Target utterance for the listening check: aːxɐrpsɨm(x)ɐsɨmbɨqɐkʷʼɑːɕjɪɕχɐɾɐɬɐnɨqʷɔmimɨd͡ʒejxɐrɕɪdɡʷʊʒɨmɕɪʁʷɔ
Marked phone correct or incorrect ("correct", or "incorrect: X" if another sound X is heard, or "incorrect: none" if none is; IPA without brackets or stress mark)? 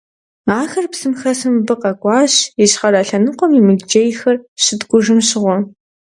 correct